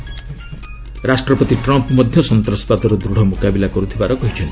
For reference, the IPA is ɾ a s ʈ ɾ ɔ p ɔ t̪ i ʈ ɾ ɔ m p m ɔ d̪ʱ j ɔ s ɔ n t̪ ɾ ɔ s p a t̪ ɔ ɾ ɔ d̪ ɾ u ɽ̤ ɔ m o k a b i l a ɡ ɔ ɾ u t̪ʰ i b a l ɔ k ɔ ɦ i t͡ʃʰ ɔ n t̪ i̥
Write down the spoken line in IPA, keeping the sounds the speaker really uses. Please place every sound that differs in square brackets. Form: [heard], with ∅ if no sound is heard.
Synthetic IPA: ɾ a s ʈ ɾ ɔ p ɔ t̪ i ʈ ɾ ɔ m p m ɔ d̪ʱ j ɔ s ɔ n t̪ ɾ ɔ s p a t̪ ɔ ɾ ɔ d̪ ɾ u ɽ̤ ɔ m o k a b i l a [k] ɔ ɾ u t̪ʰ i b a [ɾ] ɔ k ɔ ɦ i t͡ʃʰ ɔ n t̪ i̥